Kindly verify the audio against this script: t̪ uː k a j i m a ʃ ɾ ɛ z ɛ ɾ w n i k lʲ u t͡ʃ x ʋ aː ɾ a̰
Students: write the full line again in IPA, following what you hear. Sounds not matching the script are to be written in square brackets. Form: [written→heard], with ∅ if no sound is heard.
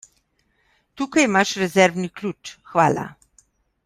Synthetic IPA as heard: t̪ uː k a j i m a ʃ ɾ ɛ z ɛ ɾ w n i k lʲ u t͡ʃ x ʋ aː [ɾ→l] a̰